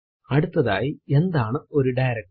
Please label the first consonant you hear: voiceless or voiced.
voiced